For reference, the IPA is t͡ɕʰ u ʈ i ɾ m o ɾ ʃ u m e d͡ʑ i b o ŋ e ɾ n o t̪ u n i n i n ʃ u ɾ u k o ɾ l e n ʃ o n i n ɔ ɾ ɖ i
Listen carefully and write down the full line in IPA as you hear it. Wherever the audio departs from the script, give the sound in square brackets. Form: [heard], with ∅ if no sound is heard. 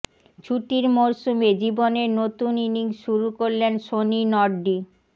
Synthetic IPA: t͡ɕʰ u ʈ i ɾ m o ɾ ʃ u m e d͡ʑ i b o [n] e ɾ n o t̪ u n i n i [ŋ] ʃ u ɾ u k o ɾ l e n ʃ o n i n ɔ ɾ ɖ i